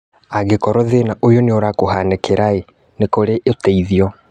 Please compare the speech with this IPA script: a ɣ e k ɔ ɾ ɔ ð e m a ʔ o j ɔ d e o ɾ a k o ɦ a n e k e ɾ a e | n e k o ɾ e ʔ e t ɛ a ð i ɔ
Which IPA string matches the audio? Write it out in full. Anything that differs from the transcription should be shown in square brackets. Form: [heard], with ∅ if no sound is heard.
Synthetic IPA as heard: a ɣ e k ɔ ɾ ɔ ð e [n] a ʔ o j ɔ [n] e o ɾ a k o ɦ a n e k e ɾ a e | n e k o ɾ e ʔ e t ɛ [i] ð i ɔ

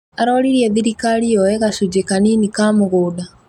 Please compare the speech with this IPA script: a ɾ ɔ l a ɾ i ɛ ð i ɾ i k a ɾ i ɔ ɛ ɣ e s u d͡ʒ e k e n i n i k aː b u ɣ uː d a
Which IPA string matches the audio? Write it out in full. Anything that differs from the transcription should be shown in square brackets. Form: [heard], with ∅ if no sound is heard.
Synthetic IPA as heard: a ɾ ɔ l [i] ɾ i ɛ ð i ɾ i k a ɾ i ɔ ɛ ɣ [a] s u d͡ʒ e k [a] n i n i k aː [m] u ɣ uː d a

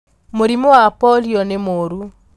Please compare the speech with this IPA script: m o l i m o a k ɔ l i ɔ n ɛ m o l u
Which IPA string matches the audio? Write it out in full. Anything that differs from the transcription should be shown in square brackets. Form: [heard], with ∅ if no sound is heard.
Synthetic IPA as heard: m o [ɾ] i m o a [p] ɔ l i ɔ n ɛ m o [ɾ] u

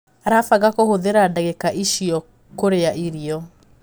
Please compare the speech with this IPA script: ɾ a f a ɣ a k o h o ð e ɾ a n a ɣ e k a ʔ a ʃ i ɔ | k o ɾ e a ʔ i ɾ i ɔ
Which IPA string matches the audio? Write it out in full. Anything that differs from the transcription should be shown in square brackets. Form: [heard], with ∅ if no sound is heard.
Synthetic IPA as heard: ɾ a f a ɣ a k o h o ð e ɾ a [d] a ɣ e k a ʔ [i] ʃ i ɔ | k o ɾ e a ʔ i ɾ i ɔ

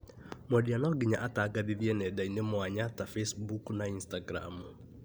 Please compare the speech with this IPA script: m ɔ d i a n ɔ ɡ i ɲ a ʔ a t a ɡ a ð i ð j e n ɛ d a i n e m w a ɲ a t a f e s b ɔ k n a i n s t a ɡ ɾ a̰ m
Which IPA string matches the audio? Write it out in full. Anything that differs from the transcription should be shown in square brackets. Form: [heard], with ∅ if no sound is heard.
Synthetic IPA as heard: m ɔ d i a n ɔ ɡ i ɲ a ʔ a t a ɡ a ð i ð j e n ɛ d a i n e m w a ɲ a t a f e s b [u] k n a i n s t a ɡ ɾ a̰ m

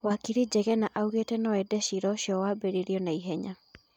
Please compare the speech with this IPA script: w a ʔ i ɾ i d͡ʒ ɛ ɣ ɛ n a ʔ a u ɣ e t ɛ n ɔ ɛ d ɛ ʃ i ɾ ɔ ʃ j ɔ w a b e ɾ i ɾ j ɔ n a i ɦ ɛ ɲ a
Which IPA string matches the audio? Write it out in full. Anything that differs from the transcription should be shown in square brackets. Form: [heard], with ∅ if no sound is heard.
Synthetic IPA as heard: w a [k] i ɾ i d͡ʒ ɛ ɣ ɛ n a ʔ a u ɣ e t ɛ n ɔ ɛ d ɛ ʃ i ɾ ɔ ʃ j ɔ w a b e ɾ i ɾ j ɔ n a i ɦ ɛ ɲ a

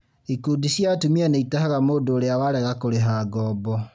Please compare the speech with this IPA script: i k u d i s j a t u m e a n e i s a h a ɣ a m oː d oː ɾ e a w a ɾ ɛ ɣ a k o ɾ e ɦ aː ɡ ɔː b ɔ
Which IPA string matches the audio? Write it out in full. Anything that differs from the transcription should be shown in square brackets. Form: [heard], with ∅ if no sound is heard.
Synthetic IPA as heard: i k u d i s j a t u m [i] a n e i [t] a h a ɣ a m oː d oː ɾ e a w a ɾ ɛ ɣ a k o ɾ e ɦ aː ɡ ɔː b ɔ

